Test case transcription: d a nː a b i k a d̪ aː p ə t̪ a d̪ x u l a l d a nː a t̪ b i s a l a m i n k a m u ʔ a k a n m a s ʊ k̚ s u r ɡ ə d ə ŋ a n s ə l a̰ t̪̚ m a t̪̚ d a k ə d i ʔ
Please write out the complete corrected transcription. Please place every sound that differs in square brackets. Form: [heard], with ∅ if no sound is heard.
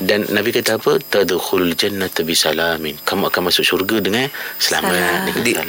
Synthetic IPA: d a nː a b i k a [t̪] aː p ə t̪ a d̪ x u l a l [d͡ʒ] a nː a t̪ b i s a l a m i n k a m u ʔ a k a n m a s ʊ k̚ s u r ɡ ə d ə ŋ a n s ə l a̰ [∅] m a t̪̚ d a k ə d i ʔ